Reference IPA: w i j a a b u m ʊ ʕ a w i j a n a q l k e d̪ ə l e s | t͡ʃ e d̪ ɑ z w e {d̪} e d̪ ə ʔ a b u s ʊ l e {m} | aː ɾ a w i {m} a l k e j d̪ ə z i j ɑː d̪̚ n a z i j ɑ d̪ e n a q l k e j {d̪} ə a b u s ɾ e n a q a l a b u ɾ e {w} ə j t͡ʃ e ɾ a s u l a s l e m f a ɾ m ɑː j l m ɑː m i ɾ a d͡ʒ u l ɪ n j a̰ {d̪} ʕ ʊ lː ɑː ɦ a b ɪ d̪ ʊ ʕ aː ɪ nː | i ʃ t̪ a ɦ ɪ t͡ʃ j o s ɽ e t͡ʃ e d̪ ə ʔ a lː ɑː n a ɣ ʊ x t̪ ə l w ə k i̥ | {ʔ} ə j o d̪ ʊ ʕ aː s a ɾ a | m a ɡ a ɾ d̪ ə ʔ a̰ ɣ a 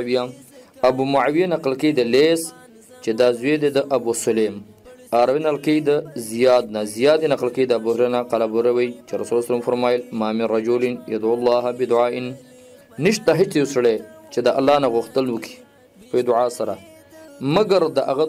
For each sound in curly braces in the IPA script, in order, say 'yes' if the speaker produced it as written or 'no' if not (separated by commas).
yes, yes, no, yes, yes, yes, no